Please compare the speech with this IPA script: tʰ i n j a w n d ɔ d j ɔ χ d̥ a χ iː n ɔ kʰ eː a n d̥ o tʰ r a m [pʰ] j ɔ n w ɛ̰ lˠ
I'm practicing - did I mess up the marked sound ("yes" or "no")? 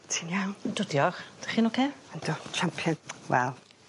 no